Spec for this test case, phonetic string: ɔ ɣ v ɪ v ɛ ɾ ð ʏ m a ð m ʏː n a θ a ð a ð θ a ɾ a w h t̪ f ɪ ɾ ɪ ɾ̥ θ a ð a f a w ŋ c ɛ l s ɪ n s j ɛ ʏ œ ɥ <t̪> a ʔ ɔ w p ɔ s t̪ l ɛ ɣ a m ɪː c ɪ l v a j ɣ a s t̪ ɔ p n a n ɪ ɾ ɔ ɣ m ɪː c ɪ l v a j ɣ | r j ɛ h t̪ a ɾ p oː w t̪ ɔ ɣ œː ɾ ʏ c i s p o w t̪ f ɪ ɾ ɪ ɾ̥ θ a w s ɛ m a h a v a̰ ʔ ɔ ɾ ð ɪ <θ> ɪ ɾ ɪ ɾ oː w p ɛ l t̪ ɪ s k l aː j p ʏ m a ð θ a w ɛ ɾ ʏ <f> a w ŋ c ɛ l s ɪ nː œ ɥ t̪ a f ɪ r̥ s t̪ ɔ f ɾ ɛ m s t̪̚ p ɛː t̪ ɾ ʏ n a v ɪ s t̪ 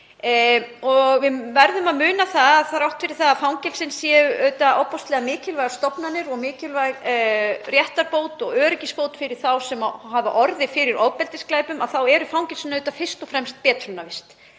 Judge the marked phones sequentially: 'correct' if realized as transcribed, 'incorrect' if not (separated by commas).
correct, incorrect, correct